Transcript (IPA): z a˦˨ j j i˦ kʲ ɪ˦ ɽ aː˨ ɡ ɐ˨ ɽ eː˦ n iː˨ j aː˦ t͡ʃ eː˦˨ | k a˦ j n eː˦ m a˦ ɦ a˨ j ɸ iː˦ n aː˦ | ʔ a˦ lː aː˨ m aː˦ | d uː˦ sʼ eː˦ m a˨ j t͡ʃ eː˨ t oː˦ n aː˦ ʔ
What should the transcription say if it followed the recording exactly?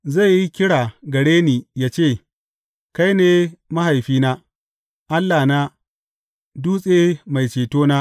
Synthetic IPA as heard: z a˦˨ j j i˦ kʲ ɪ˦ ɽ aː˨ ɡ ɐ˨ ɽ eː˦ n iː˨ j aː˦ t͡ʃ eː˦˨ | k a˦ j n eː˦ m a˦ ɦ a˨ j ɸ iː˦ n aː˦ | ʔ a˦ lː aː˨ n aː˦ | d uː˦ sʼ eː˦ m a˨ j t͡ʃ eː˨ t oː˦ n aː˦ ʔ